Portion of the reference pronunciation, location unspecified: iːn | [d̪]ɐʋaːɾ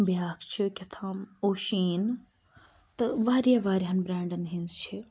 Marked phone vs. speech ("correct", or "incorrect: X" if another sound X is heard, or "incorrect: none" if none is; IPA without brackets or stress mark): incorrect: t̪